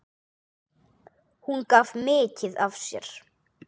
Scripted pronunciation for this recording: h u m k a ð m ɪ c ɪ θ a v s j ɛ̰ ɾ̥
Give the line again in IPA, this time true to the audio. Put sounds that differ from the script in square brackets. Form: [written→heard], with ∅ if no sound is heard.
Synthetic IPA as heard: h u [m→n] k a [ð→v] m [ɪ→ɪː] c ɪ [θ→ð] a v s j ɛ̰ ɾ̥

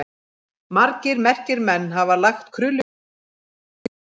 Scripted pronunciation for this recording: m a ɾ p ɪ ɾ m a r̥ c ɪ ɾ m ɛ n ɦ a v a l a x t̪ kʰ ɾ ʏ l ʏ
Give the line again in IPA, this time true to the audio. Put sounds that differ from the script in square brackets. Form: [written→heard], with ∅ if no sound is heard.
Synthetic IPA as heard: m a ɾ [p→c] ɪ ɾ m [a→ɛ] r̥ c ɪ ɾ m ɛ [n→nː] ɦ a v a l a x t̪ kʰ ɾ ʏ l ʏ

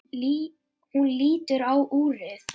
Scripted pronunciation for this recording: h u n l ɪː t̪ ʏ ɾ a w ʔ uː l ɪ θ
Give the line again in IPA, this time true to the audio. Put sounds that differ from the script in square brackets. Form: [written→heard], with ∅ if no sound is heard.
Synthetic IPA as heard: h u n l [ɪː→iː] t̪ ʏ ɾ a w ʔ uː [l→ɾ] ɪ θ

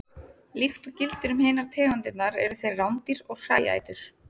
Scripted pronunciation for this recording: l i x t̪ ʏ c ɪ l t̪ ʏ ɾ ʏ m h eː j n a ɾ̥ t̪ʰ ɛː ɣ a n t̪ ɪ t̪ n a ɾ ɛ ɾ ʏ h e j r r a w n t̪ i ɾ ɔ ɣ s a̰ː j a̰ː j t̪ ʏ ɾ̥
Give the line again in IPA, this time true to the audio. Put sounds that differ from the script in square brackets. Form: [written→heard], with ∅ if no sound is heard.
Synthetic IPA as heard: l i x t̪ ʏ c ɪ l t̪ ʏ ɾ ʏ m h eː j n a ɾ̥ t̪ʰ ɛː ɣ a n t̪ ɪ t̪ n a ɾ ɛ ɾ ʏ [h→θ] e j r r a w n t̪ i ɾ ɔ ɣ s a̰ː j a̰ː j t̪ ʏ ɾ̥

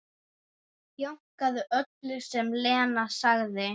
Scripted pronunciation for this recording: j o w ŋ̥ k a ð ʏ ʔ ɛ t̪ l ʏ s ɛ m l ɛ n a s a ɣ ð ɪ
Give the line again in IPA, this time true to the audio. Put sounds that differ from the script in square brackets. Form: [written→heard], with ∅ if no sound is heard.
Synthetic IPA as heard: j o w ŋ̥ k a ð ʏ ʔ [ɛ→œ] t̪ l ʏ s ɛ m l [ɛ→ɛː] n a s a ɣ ð ɪ

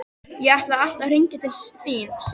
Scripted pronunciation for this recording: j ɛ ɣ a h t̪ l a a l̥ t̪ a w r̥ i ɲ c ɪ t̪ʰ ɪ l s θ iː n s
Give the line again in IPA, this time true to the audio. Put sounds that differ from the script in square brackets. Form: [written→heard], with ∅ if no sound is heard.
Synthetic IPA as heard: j ɛ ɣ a h t̪ l a a l̥ t̪ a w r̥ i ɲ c ɪ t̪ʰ ɪ l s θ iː n s

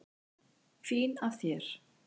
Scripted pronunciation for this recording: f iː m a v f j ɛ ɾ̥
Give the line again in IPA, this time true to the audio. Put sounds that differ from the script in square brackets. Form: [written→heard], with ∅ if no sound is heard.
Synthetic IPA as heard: f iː [m→n] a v [f→θ] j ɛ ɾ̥

